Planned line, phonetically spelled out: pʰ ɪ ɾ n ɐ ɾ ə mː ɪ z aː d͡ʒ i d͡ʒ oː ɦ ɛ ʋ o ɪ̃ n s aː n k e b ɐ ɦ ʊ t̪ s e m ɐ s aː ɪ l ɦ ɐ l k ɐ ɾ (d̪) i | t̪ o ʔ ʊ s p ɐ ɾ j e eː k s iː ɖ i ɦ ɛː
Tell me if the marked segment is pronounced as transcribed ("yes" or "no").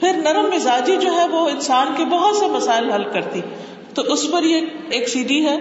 no